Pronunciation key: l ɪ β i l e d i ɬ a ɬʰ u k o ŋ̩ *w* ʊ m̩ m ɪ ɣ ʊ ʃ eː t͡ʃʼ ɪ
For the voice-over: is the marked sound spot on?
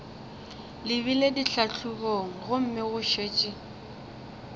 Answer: no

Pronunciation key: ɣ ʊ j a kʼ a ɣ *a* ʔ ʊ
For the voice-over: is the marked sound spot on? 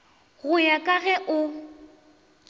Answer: no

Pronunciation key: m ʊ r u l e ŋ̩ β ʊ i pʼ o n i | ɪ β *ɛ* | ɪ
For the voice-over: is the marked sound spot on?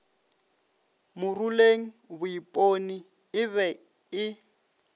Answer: yes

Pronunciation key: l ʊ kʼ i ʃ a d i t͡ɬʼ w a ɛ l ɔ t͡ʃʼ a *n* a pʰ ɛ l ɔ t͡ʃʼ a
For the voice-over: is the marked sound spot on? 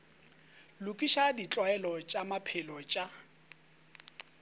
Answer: no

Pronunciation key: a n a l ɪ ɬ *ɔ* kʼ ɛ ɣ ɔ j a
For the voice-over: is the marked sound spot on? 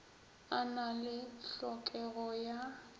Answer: yes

